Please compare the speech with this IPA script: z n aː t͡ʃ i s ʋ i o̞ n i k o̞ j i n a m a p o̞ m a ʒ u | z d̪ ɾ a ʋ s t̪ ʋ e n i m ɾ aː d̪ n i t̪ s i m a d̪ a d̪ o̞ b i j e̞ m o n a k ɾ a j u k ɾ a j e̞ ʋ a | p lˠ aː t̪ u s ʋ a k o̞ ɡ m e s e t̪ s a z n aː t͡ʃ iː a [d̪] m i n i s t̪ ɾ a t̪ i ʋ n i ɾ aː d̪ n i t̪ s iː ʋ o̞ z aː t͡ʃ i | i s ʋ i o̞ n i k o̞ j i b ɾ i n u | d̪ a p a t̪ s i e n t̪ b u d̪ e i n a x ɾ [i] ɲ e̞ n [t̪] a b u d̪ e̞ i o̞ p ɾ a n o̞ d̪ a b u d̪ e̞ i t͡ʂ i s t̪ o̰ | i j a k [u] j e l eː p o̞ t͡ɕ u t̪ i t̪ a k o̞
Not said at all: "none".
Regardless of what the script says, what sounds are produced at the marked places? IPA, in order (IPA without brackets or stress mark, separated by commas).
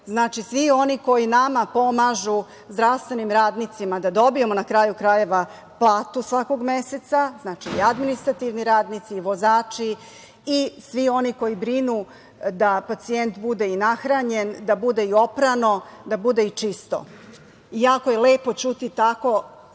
d̪, a, d̪, o